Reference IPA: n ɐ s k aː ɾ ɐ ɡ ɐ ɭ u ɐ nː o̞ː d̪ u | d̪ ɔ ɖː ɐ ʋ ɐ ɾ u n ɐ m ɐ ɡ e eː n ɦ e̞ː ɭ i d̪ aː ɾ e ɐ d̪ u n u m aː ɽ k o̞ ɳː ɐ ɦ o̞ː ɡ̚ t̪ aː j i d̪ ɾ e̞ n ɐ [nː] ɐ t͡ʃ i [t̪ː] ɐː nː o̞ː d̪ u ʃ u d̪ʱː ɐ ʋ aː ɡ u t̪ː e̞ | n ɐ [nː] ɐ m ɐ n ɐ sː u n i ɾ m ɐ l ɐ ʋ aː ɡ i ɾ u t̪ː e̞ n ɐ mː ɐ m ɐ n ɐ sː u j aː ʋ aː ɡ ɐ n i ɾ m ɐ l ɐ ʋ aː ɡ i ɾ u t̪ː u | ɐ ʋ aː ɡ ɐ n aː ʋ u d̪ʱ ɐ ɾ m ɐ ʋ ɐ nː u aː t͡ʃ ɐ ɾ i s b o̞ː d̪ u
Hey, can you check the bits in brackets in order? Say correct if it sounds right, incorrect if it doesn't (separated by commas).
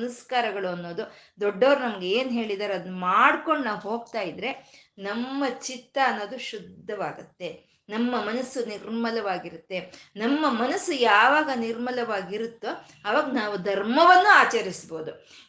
incorrect, correct, incorrect